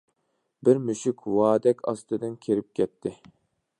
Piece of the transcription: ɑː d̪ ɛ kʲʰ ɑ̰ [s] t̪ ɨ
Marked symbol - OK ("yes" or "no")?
yes